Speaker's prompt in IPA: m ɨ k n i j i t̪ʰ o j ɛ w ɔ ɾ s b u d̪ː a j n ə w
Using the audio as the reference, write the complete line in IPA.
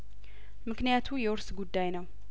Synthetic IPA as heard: m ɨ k n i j a t̪ʰ u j ɛ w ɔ ɾ s ɡ u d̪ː a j n ə w